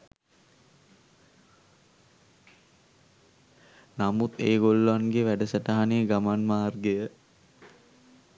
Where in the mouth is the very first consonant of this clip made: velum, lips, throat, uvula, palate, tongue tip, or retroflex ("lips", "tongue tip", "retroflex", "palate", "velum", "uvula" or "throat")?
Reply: tongue tip